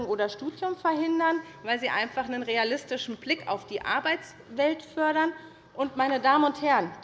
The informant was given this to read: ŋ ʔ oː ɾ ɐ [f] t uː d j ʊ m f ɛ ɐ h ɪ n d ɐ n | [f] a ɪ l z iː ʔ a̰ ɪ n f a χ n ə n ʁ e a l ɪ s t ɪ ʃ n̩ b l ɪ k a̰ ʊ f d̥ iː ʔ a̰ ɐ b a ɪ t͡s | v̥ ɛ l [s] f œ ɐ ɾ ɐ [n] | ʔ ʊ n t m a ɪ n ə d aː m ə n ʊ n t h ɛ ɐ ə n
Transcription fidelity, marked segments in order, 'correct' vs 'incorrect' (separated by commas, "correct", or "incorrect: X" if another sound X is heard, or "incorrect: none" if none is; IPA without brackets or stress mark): incorrect: ʃ, incorrect: v, incorrect: t, correct